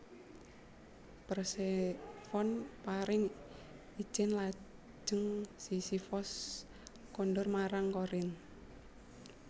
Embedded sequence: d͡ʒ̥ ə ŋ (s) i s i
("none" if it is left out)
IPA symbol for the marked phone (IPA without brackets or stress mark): s